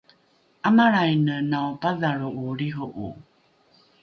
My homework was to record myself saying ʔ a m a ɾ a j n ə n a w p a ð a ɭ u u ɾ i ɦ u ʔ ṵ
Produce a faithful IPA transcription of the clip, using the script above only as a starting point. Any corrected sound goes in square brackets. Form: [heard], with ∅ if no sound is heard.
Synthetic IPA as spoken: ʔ a m a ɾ a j n ə n a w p a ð a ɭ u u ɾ i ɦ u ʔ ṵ

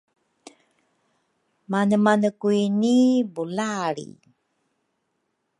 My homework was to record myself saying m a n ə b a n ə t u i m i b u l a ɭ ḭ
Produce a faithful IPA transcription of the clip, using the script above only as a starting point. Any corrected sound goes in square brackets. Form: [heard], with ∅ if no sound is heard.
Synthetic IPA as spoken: m a n ə [m] a n ə [k] u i [n] i b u l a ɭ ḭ

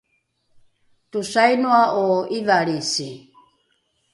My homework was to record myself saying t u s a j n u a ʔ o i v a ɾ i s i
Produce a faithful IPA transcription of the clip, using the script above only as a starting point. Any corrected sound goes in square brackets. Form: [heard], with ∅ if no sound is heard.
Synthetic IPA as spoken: t u s a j n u a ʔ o i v a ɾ i s i

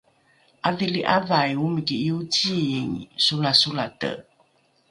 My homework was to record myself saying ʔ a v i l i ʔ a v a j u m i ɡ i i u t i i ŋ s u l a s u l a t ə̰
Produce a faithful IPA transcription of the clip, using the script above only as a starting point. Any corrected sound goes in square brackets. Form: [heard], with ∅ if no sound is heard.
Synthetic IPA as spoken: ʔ a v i l i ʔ a v a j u m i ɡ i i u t i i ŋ s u l a s u l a t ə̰

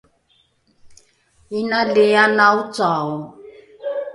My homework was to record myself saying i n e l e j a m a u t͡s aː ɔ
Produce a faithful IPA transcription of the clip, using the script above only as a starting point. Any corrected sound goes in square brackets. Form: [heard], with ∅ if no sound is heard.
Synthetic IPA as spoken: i n [a] l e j a [n] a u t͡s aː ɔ

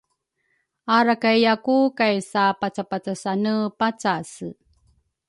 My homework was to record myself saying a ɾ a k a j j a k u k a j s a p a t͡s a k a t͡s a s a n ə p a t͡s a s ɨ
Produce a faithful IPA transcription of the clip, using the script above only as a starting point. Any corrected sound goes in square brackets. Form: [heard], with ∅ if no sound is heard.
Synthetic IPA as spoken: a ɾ a k a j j a k u k a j s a p a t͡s a [p] a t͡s a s a n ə p a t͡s a s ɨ

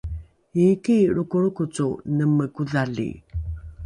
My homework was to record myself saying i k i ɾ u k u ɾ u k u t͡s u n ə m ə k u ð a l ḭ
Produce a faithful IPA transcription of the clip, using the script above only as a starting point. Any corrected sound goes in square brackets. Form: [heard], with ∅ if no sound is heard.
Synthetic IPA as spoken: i k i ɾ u k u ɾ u k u t͡s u n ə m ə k u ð a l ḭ

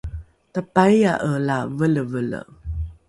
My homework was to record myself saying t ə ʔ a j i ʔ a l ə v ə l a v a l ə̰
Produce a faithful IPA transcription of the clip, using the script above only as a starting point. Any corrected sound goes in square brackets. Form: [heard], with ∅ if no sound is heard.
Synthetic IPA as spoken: t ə [p] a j [a] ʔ [ə] l [a] v ə l [ə] v [ə] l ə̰

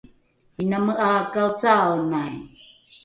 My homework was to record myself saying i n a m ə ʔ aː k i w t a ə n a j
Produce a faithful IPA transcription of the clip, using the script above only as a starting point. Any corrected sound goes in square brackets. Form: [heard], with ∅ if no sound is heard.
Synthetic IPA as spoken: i n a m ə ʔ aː k [a] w [t͡s] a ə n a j

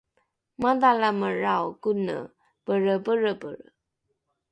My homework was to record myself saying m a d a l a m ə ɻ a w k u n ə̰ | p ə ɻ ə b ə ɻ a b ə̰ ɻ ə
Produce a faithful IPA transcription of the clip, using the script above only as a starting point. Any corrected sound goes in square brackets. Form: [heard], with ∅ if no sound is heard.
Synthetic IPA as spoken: m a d a l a m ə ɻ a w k u n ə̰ | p ə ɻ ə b ə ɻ [ə] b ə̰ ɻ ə

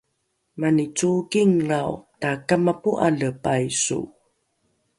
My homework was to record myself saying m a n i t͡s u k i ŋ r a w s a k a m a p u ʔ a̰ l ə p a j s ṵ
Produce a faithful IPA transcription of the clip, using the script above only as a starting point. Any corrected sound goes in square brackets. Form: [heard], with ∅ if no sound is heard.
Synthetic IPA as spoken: m a n i t͡s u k i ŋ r a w [t] a k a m a p u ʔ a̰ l ə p a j s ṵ

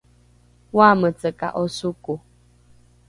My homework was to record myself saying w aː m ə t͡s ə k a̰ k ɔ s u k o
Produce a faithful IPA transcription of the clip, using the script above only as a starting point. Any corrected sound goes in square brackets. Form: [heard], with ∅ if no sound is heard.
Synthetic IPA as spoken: w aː m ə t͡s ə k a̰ [ʔ] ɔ s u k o

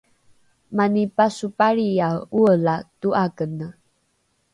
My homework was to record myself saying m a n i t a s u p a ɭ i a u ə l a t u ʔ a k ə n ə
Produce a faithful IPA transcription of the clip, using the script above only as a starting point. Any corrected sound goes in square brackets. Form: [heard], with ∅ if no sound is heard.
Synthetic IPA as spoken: m a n i [p] a s u p a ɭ i a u ə l a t u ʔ a k ə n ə

